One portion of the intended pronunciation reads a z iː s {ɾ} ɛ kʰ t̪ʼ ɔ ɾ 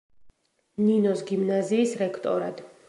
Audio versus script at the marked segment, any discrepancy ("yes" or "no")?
no